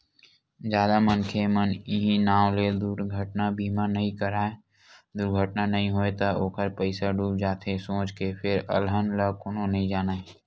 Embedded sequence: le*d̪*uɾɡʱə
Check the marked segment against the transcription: correct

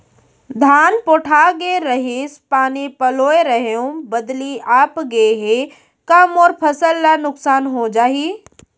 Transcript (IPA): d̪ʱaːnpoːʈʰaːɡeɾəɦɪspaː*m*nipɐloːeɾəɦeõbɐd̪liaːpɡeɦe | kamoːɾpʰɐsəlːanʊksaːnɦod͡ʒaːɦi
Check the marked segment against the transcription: incorrect: none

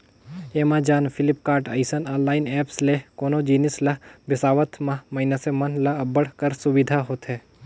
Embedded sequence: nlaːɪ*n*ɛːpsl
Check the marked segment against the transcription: correct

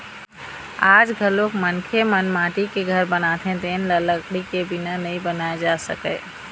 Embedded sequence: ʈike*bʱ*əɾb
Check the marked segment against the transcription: incorrect: ɡʱ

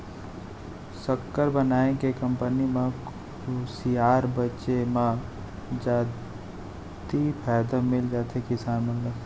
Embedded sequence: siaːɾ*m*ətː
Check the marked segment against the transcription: incorrect: b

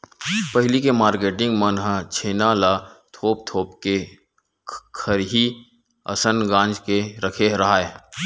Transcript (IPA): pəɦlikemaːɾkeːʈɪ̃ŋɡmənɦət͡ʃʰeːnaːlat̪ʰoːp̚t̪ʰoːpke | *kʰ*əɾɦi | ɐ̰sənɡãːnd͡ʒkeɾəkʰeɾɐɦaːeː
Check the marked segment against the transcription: correct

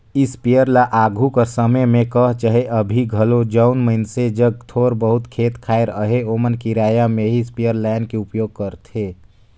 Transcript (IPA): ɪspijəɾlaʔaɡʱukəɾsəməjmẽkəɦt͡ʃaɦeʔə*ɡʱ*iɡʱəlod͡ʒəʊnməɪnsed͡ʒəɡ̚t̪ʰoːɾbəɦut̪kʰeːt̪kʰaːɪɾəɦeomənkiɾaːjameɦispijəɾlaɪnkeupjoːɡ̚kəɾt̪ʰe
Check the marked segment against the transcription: incorrect: bʱ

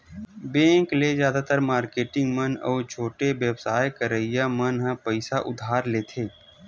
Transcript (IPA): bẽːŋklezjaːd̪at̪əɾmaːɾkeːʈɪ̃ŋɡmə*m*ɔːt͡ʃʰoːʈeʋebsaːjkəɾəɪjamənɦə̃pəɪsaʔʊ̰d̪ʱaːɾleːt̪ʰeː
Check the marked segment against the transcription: incorrect: n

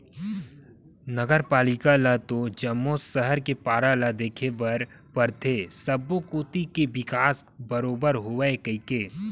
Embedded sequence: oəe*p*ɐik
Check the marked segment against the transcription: incorrect: k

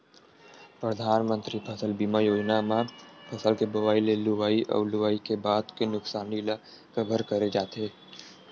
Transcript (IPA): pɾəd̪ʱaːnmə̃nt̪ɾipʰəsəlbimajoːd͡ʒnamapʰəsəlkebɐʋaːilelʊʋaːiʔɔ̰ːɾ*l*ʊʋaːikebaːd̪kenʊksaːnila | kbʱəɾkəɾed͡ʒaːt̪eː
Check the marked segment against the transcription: correct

